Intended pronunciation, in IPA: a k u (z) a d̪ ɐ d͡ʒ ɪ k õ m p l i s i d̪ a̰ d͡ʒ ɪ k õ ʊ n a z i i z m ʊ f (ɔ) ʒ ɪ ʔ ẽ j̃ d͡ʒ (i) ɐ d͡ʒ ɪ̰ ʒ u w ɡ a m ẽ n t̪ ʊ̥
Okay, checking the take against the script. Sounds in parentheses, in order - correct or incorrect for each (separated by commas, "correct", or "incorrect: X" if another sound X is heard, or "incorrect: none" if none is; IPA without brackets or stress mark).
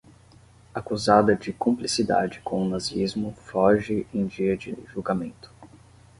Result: correct, correct, correct